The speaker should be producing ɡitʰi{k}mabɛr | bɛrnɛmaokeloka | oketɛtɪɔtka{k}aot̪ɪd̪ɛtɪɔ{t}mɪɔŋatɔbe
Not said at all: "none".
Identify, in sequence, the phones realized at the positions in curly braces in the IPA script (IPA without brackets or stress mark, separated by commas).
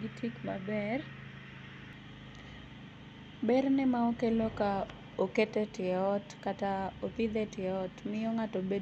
k, t, t